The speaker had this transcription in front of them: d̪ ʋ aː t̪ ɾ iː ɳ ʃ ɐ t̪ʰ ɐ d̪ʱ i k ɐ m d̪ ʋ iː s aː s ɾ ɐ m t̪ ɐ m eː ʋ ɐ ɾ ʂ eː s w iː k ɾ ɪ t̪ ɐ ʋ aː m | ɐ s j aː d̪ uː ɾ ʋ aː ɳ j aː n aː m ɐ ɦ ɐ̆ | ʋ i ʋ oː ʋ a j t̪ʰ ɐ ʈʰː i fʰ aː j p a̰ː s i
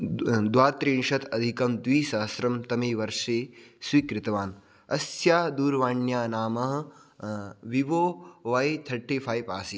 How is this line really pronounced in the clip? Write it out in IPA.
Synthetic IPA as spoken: d̪ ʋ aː t̪ ɾ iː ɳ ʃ ɐ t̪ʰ ɐ d̪ʱ i k ɐ m d̪ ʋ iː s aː s ɾ ɐ m t̪ ɐ m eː ʋ ɐ ɾ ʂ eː s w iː k ɾ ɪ t̪ ɐ ʋ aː n | ɐ s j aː d̪ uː ɾ ʋ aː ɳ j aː n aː m ɐ ɦ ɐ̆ | ʋ i ʋ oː ʋ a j t̪ʰ ɐ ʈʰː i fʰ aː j p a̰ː s i